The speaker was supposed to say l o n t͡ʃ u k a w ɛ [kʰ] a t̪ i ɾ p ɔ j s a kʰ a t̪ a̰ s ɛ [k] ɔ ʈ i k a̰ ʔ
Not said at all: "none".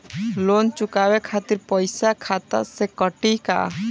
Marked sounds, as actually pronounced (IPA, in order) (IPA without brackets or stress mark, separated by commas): kʰ, k